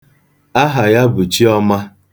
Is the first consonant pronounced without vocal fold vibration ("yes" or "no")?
no